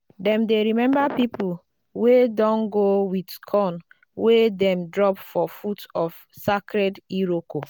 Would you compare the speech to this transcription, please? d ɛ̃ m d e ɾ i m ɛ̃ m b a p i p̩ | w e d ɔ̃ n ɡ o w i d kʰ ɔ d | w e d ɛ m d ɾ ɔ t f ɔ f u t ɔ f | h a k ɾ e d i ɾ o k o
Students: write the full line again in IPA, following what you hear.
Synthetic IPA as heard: d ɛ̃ m d e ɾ i m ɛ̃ m b a p i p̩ | w e d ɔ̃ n ɡ o w i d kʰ ɔ n | w e d ɛ m d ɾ ɔ p f ɔ f u t ɔ f | s a k ɾ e d i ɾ o k o